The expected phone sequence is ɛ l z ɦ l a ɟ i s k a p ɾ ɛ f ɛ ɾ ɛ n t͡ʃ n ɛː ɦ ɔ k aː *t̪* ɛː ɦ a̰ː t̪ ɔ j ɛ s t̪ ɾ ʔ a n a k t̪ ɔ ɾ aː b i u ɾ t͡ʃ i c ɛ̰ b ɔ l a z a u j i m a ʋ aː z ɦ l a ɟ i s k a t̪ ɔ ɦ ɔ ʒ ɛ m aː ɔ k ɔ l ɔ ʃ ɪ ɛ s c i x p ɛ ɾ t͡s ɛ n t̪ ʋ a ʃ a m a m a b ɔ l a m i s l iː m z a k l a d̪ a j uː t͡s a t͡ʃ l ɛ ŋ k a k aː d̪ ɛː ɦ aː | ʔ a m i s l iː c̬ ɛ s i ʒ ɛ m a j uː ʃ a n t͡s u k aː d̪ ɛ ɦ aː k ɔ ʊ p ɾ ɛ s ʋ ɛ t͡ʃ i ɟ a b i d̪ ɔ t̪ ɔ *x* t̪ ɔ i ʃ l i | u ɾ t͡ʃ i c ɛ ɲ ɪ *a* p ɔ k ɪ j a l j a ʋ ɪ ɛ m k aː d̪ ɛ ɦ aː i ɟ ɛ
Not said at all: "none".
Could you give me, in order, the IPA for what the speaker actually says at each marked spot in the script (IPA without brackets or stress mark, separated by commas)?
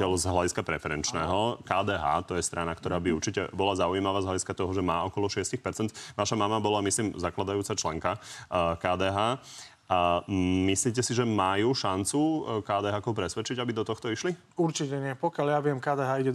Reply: d̪, x, ɛ